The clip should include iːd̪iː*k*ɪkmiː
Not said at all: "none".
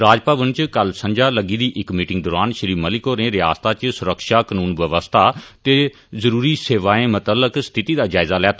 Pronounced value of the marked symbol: ʔ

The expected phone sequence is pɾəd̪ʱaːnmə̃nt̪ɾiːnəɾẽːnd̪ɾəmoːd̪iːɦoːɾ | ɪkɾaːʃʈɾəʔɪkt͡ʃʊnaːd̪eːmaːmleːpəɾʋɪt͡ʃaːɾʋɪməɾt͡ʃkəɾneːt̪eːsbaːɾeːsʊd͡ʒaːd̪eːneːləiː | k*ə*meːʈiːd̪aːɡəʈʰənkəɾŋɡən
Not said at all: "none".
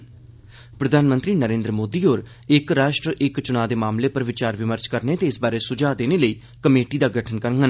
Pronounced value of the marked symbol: ə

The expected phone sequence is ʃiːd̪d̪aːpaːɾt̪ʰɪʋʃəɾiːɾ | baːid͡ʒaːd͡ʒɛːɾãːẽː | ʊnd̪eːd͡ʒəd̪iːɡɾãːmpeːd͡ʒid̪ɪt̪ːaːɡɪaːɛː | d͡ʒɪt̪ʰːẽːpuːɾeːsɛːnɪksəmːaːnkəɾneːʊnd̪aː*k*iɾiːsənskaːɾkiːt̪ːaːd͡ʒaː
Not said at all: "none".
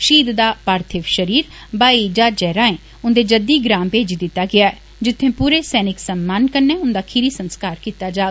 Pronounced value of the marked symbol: kʰ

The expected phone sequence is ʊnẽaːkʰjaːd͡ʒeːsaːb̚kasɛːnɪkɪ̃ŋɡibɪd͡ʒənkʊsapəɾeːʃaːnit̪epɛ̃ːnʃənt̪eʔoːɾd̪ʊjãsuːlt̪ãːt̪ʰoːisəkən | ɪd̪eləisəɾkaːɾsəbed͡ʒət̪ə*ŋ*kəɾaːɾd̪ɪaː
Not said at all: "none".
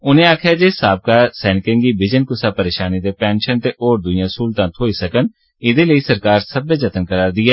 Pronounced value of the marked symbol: n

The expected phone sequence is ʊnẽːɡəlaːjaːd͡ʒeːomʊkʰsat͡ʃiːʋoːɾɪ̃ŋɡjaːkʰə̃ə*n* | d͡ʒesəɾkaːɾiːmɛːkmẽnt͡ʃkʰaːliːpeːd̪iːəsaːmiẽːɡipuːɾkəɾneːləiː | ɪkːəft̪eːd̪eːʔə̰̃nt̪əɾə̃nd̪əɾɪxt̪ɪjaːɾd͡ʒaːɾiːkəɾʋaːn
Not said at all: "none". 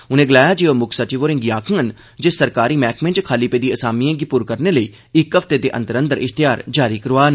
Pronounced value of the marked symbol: n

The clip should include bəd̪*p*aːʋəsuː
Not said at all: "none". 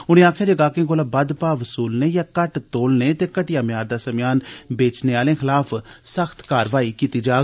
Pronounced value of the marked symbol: p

